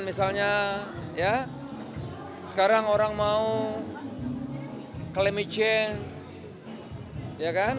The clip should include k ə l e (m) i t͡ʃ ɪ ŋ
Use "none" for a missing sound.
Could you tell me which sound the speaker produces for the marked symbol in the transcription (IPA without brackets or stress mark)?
m